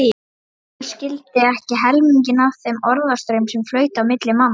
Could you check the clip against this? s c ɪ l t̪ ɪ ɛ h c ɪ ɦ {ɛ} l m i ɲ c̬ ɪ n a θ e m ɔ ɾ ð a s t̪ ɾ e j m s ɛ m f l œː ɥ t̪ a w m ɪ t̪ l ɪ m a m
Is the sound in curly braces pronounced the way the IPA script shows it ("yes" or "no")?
yes